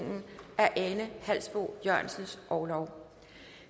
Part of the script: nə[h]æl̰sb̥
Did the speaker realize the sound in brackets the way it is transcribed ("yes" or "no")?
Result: yes